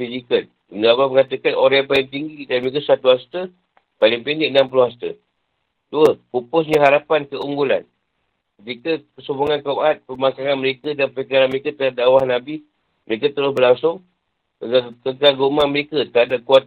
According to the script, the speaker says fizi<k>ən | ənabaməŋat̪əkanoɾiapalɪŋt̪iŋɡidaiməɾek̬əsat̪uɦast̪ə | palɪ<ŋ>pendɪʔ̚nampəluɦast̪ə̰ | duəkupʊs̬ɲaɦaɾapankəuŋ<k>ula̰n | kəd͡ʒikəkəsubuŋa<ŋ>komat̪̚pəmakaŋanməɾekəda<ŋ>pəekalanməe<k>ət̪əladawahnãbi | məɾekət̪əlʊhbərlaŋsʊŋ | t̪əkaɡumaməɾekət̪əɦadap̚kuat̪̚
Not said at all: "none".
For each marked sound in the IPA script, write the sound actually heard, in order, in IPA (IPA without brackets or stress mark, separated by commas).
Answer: k, ŋ, ɡ, n, n, k